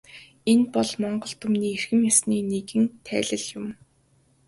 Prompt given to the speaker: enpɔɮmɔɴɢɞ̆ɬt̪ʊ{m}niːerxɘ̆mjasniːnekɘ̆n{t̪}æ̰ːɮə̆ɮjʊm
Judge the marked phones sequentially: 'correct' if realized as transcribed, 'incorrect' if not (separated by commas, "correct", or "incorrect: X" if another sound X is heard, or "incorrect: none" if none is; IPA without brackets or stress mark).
correct, incorrect: t̪ʰ